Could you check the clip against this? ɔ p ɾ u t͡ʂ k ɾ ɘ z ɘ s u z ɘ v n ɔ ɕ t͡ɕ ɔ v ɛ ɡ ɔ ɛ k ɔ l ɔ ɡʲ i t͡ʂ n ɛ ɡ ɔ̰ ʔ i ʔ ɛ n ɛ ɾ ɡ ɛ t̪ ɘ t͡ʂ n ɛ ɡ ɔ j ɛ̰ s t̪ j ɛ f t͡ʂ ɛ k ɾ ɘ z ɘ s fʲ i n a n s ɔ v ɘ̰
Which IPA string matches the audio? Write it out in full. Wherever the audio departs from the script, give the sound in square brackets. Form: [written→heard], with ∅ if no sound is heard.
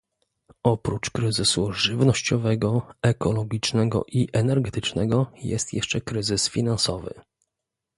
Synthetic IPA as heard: ɔ p ɾ u t͡ʂ k ɾ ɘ z ɘ s u [z→ʐ] ɘ v n ɔ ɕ t͡ɕ ɔ v ɛ ɡ ɔ ɛ k ɔ l ɔ ɡʲ i t͡ʂ n ɛ ɡ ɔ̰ ʔ i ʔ ɛ n ɛ ɾ ɡ ɛ t̪ ɘ t͡ʂ n ɛ ɡ ɔ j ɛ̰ s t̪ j ɛ [f→ʂ] t͡ʂ ɛ k ɾ ɘ z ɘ s fʲ i n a n s ɔ v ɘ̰